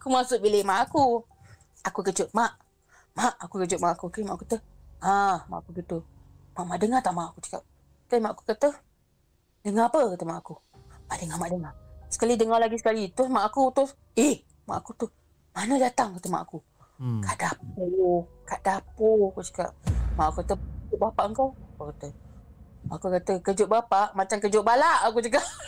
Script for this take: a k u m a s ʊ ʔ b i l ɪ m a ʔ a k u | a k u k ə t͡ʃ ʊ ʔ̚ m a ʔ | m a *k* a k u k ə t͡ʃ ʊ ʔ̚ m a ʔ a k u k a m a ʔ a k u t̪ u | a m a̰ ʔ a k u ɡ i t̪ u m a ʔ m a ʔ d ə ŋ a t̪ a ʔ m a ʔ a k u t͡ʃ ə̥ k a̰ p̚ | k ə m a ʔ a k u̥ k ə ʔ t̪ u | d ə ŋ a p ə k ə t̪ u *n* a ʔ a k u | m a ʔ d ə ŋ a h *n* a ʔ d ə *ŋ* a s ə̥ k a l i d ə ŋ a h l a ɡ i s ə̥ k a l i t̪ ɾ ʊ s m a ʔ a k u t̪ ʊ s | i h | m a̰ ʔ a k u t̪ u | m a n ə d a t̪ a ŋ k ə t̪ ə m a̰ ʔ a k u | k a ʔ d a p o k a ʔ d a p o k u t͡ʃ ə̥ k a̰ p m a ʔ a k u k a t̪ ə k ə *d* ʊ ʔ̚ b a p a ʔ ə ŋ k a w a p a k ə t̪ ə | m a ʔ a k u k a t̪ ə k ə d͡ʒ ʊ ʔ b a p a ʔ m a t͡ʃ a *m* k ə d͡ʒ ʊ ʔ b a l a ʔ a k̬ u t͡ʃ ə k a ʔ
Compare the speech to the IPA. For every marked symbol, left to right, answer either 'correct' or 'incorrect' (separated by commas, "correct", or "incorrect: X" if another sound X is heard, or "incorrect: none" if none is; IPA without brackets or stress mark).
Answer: incorrect: ʔ, incorrect: m, incorrect: m, correct, incorrect: d͡ʒ, incorrect: ŋ